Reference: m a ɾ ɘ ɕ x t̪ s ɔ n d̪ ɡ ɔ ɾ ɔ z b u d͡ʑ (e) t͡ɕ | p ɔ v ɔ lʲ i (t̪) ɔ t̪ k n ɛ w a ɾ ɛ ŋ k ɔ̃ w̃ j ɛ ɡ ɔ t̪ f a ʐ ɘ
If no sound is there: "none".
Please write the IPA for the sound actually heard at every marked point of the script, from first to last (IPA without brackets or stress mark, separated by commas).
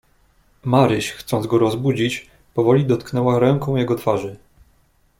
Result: i, d̪